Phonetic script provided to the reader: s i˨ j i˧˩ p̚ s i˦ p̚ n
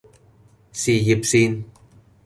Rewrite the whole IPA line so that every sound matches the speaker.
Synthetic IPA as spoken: s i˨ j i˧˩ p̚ s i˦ n

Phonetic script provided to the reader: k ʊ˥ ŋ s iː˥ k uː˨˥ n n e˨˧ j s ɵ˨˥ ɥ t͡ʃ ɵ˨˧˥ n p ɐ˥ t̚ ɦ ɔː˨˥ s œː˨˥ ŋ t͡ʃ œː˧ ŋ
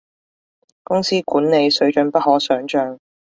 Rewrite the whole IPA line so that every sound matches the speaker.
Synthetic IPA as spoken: k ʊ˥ ŋ s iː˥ k uː˨˥ n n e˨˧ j s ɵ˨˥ ɥ t͡ʃ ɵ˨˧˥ n p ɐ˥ t̚ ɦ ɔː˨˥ s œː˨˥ ŋ t͡ʃ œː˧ ŋ

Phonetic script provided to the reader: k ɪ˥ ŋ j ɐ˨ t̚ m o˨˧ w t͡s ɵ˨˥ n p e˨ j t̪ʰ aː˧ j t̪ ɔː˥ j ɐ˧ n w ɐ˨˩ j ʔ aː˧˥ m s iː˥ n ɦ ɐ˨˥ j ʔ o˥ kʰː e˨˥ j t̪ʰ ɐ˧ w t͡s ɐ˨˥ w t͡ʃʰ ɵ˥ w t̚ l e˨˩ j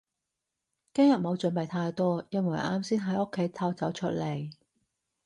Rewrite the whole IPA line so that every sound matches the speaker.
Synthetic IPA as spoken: k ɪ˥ ŋ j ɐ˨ t̚ m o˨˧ w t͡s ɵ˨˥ n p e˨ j t̪ʰ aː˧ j t̪ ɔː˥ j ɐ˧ n w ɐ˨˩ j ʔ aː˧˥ m s iː˥ n ɦ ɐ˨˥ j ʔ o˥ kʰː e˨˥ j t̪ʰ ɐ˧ w t͡s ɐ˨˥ w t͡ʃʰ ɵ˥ t̚ l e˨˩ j

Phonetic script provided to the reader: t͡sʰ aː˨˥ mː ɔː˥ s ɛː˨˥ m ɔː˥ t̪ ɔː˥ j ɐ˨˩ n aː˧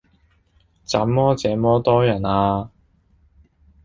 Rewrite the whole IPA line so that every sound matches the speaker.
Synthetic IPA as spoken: t͡s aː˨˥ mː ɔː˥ t͡s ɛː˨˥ m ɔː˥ t̪ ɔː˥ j ɐ˨˩ n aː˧

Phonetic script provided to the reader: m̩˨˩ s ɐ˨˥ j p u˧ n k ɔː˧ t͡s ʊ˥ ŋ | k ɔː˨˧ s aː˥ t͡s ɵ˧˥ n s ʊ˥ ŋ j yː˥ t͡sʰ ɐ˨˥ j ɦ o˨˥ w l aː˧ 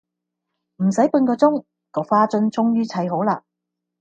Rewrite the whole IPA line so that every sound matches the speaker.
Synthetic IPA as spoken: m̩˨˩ s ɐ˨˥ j p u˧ n k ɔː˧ t͡s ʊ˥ ŋ | k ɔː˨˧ f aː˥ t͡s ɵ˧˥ n t͡s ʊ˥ ŋ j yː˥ t͡sʰ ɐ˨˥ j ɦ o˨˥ w l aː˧

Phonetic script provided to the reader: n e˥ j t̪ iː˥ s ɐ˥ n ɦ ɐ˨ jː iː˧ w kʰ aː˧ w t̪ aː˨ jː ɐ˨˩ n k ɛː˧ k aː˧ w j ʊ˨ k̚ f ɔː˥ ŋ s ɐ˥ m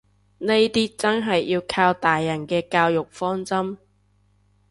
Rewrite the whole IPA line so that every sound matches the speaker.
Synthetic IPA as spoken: n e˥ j t̪ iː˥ t͡s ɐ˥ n ɦ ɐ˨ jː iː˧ w kʰ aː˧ w t̪ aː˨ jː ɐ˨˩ n k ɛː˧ k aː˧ w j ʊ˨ k̚ f ɔː˥ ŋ t͡s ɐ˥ m

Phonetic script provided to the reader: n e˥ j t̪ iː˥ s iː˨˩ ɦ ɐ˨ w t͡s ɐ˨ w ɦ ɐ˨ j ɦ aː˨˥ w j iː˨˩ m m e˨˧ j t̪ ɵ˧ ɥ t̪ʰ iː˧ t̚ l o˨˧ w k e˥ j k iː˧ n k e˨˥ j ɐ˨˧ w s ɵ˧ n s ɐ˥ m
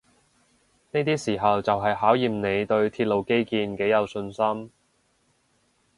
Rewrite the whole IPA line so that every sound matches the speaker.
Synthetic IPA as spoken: n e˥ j t̪ iː˥ s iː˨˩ ɦ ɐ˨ w t͡s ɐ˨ w ɦ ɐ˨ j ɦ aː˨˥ w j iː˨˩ m n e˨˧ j t̪ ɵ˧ ɥ t̪ʰ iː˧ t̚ l o˨˧ w k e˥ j k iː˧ n k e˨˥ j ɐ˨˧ w s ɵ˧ n s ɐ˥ m

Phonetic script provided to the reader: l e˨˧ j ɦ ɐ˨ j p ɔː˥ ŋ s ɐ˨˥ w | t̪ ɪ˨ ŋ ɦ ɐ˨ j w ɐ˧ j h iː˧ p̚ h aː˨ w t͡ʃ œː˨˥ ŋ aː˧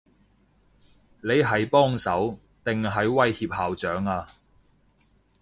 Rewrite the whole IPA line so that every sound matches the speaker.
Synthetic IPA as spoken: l e˨˧ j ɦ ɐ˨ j p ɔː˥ ŋ s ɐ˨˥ w | t̪ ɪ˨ ŋ ɦ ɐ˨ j w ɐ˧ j h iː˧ p̚ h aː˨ w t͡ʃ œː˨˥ ŋ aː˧

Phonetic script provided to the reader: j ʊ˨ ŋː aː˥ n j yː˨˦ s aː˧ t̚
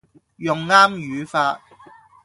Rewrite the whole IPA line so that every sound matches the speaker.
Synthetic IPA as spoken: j ʊ˨ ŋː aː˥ m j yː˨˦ f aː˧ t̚

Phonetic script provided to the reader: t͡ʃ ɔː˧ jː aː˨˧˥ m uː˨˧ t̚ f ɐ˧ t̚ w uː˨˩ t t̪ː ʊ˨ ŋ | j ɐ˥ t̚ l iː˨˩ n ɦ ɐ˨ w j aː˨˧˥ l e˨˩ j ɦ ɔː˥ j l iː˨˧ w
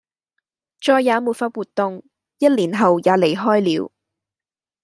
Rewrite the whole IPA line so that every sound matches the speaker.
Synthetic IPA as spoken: t͡ʃ ɔː˧ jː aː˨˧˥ m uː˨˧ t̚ f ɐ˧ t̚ w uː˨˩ t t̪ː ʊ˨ ŋ | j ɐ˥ t̚ l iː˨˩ n ɦ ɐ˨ w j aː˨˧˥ l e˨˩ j ɦ ɔː˥ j l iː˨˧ w

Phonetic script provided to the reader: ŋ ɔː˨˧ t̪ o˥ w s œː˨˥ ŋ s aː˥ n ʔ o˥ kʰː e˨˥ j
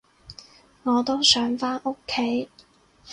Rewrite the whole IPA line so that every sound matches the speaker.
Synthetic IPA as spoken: ŋ ɔː˨˧ t̪ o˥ w s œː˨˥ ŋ f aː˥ n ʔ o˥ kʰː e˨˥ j

